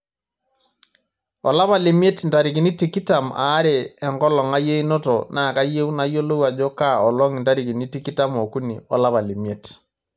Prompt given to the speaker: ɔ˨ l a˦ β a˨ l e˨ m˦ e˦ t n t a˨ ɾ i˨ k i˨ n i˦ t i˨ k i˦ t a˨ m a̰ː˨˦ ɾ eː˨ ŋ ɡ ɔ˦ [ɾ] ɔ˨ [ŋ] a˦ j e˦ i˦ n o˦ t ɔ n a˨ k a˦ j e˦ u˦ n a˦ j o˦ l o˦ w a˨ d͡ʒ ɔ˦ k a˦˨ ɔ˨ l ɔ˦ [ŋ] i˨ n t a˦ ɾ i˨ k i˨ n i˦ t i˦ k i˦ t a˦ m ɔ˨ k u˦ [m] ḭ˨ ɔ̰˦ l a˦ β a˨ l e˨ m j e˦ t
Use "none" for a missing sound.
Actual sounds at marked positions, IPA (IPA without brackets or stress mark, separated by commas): l, ŋ, ŋ, n